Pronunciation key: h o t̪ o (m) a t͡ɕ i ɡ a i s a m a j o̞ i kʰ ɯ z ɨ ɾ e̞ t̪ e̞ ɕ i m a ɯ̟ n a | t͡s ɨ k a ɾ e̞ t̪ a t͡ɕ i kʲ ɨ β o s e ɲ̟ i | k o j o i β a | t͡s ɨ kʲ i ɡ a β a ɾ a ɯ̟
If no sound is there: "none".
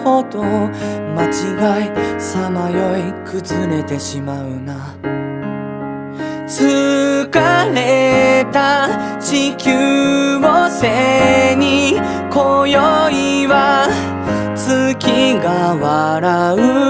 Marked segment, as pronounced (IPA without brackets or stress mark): m